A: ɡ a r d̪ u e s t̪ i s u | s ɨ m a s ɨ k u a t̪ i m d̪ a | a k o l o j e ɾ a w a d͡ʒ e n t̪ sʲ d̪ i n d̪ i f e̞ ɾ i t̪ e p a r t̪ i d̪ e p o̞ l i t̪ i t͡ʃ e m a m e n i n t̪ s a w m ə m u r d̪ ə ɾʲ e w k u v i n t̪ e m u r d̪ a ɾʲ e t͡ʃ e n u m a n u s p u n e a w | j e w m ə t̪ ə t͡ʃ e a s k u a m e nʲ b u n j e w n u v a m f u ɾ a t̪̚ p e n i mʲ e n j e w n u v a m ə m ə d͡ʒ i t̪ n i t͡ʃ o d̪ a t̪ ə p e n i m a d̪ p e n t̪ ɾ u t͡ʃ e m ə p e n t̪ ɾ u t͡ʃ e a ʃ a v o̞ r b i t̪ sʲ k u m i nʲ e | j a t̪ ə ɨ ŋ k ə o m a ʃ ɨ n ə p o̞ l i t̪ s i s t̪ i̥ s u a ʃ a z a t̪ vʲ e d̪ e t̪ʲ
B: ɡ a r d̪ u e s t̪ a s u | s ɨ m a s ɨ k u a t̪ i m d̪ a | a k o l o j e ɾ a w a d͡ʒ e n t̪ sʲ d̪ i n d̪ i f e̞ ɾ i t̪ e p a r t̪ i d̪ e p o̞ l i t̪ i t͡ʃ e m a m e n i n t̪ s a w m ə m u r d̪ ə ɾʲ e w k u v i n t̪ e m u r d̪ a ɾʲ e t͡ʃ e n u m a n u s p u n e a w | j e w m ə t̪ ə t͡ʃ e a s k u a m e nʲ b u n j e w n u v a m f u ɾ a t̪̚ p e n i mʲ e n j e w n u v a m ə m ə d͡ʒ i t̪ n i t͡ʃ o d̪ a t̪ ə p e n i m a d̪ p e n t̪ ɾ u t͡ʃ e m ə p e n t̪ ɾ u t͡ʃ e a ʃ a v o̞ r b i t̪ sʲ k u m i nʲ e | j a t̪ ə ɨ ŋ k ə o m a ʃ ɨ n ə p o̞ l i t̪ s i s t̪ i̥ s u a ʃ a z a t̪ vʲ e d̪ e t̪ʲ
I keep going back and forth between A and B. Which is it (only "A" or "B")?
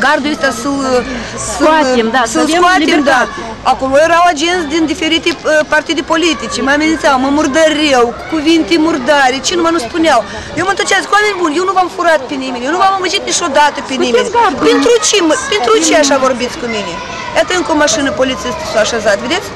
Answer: B